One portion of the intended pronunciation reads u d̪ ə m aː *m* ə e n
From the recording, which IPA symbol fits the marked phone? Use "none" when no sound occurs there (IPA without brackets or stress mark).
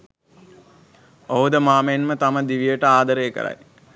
m